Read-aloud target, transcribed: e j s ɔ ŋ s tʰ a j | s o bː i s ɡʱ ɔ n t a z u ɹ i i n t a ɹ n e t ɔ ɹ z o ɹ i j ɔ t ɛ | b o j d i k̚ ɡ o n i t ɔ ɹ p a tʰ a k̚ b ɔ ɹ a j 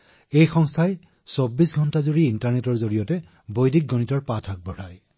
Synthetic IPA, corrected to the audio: e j x ɔ ŋ s tʰ a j | s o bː i s ɡʱ ɔ n t a z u ɹ i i n t a ɹ n e t ɔ ɹ z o ɹ i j ɔ t ɛ | b o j d i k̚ ɡ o n i t ɔ ɹ p a tʰ a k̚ b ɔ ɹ a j